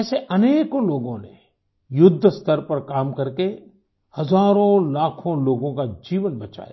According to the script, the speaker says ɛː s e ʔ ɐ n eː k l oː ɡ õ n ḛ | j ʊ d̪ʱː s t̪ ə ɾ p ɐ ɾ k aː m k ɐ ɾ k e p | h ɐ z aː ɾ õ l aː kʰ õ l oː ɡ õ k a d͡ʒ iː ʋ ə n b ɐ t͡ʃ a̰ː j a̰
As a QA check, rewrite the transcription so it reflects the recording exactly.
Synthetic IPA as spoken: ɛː s e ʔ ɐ n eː k l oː ɡ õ n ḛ | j ʊ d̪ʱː s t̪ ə ɾ p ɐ ɾ k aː m k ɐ ɾ k e | h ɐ z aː ɾ õ l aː kʰ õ l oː ɡ õ k a d͡ʒ iː ʋ ə n b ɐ t͡ʃ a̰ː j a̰